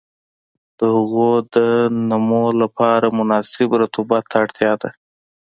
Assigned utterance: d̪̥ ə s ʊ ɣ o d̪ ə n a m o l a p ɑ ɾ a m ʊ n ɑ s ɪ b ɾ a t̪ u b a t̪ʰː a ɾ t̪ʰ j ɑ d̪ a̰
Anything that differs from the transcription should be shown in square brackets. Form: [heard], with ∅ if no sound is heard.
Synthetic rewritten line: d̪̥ ə [h] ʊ ɣ o d̪ ə n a m o l a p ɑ ɾ a m ʊ n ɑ s ɪ b ɾ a t̪ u b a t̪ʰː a [ɽ] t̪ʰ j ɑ d̪ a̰